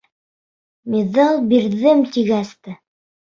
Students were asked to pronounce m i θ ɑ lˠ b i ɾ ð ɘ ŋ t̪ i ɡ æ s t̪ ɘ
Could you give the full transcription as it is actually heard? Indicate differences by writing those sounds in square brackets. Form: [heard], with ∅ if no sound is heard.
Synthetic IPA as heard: m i [ð] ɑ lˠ b i ɾ ð ɘ [m] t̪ i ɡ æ s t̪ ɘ